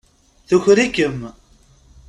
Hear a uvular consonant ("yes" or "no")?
no